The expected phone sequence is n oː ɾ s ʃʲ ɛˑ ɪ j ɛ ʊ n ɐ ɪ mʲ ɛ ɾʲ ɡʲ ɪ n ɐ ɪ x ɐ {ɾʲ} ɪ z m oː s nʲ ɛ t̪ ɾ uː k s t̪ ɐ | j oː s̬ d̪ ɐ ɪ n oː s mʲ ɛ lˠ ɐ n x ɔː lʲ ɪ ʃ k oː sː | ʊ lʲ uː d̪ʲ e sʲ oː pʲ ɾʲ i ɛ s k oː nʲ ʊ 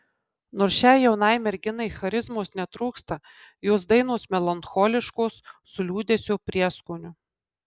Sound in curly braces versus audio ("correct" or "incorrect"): correct